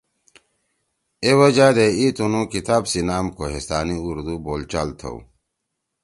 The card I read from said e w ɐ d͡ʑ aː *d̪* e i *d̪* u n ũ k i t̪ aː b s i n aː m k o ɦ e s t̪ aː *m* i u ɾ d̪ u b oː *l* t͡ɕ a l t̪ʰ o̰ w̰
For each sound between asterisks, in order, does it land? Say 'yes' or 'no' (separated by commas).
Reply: yes, no, no, yes